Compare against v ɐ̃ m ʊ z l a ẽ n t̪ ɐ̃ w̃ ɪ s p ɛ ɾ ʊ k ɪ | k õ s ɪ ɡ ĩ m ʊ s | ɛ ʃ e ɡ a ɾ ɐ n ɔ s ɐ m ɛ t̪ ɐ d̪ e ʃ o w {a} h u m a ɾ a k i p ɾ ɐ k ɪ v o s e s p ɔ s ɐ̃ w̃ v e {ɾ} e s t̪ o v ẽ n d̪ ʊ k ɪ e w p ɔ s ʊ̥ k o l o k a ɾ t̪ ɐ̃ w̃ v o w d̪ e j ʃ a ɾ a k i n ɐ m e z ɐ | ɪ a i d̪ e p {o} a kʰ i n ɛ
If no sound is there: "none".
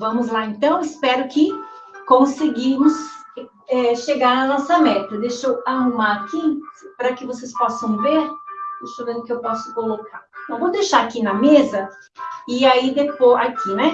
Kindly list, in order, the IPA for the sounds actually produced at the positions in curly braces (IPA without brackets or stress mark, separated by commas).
a, ɾ, o